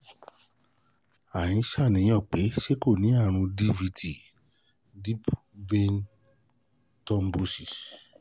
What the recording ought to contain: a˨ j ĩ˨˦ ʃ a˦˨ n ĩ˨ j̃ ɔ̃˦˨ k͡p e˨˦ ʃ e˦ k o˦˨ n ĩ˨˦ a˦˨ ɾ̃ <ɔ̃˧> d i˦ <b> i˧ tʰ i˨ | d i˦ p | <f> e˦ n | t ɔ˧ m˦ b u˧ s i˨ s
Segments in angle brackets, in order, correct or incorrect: incorrect, incorrect, incorrect

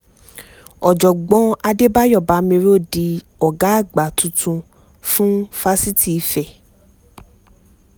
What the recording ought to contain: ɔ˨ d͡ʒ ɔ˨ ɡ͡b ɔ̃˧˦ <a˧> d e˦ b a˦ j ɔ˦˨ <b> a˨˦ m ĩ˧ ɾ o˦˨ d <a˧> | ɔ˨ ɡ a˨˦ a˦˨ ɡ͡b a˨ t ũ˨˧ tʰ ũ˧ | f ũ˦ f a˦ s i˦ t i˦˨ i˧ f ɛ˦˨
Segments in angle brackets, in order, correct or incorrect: correct, correct, incorrect

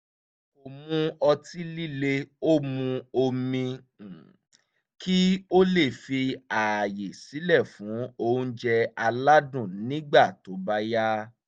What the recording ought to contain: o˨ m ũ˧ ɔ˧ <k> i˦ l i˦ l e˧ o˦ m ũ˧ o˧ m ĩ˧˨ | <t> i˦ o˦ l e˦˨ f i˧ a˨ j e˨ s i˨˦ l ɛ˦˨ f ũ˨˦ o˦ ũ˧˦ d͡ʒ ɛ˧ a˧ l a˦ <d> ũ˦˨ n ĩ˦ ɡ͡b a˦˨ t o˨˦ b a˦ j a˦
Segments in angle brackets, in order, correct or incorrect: incorrect, incorrect, correct

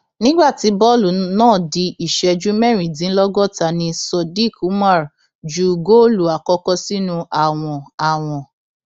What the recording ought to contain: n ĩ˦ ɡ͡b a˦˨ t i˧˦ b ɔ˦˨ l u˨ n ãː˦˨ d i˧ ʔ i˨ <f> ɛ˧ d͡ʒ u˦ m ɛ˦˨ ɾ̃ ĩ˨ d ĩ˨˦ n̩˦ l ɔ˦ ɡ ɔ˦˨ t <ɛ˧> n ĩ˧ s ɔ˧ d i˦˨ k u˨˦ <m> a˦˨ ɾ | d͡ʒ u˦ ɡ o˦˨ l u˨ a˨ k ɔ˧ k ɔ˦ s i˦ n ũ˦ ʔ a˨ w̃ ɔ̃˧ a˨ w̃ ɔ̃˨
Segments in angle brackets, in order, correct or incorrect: incorrect, incorrect, correct

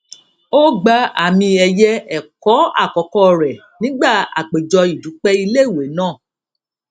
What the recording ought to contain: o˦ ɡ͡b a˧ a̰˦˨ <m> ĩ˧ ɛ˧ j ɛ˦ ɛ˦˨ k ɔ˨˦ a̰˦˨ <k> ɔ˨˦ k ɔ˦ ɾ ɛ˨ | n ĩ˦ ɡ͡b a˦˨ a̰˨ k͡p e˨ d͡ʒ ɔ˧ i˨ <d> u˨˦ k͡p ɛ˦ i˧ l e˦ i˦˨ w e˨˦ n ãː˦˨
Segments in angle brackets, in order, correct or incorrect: correct, correct, correct

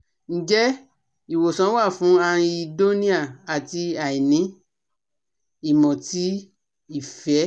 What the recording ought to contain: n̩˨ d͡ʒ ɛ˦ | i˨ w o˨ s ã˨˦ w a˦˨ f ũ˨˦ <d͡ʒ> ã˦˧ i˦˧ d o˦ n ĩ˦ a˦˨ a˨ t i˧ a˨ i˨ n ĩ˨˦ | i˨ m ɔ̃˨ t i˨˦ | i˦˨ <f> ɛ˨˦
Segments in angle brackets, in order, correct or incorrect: incorrect, correct

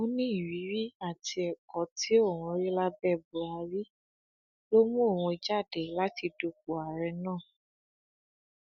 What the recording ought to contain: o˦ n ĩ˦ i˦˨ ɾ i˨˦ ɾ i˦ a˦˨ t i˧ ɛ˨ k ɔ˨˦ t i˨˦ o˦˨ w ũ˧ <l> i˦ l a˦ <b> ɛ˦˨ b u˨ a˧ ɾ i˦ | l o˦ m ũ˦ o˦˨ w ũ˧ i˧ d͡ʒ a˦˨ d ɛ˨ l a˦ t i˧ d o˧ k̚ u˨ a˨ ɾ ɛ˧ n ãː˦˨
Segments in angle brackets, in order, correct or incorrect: incorrect, correct

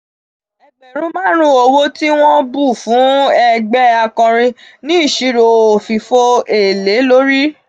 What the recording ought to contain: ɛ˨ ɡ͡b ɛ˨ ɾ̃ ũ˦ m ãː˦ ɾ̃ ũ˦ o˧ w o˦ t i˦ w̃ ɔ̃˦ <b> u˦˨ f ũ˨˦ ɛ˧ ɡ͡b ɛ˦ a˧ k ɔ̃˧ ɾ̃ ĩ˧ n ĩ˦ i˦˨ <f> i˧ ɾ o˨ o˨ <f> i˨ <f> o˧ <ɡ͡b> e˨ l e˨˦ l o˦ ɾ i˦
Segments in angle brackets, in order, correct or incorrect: correct, incorrect, correct, correct, incorrect

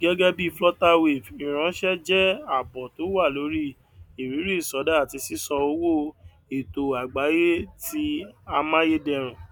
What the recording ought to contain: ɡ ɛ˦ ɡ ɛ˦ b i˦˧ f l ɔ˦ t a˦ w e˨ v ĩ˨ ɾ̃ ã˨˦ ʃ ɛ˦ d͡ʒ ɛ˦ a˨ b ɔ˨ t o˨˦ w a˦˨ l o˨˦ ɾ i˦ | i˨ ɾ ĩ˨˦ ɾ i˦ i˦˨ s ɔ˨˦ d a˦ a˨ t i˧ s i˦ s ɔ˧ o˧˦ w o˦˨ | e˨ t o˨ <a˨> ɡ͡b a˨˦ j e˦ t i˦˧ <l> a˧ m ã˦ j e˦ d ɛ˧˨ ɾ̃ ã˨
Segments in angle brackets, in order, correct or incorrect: correct, incorrect

